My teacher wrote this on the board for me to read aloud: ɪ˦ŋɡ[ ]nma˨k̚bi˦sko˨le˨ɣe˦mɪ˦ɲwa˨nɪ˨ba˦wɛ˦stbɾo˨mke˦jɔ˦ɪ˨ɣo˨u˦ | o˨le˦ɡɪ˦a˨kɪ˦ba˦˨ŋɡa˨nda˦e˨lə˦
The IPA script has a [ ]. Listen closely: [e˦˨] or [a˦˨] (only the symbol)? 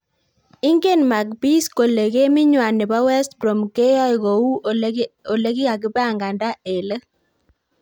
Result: e˦˨